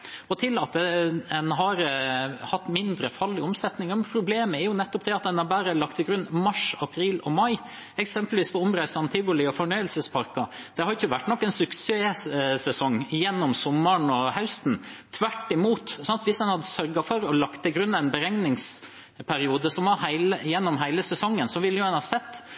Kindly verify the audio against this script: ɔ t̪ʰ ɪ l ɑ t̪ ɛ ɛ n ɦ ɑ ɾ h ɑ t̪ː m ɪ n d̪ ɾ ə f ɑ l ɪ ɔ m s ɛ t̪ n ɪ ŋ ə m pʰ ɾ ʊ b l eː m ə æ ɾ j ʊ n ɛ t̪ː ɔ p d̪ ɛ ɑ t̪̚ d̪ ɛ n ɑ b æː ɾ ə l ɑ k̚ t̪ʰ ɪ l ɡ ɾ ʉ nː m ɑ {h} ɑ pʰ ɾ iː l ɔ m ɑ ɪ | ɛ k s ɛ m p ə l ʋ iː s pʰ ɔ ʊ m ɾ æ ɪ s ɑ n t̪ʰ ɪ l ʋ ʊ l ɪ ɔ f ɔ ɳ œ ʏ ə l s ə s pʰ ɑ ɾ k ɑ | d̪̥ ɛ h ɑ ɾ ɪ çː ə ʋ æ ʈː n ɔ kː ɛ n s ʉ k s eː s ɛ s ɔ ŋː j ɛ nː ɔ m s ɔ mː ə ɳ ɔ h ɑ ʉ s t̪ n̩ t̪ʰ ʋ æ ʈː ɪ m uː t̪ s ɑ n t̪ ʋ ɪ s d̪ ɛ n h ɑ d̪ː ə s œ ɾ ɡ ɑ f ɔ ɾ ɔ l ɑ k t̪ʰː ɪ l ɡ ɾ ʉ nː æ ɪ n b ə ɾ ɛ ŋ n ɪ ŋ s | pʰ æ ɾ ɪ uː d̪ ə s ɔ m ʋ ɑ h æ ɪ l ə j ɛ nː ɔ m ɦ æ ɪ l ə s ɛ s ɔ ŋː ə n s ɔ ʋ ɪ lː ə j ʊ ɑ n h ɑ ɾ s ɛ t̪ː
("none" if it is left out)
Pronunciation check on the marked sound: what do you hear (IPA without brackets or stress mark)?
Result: ʂ